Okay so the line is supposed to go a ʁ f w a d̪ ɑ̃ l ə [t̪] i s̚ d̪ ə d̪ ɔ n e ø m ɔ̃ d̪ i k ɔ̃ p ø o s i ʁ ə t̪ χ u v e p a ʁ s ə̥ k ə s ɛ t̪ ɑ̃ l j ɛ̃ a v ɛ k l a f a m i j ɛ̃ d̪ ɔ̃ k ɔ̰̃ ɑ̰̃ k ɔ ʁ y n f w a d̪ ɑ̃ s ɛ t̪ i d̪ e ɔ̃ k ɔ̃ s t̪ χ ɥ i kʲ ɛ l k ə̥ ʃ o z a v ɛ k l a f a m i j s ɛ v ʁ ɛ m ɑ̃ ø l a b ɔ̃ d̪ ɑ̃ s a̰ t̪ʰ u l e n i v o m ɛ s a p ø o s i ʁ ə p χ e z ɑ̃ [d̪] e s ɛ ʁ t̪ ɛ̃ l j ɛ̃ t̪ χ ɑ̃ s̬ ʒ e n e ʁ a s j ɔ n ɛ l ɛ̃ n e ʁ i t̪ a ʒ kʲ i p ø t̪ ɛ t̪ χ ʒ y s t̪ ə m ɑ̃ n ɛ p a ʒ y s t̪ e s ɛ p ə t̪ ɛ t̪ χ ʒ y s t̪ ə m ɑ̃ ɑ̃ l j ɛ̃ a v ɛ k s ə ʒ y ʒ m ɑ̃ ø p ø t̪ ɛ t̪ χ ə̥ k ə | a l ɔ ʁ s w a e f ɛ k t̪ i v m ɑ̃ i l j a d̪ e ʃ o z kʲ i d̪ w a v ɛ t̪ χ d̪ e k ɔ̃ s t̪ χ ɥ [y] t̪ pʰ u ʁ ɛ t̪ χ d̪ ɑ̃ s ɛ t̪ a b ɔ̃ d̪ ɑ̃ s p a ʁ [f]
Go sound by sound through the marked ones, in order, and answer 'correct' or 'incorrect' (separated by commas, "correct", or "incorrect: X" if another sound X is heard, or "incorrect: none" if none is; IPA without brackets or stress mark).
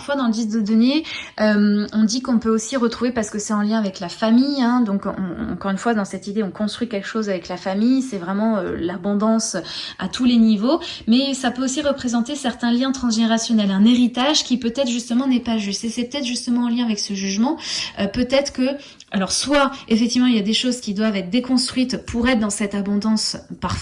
incorrect: d̪, incorrect: t̪, incorrect: i, correct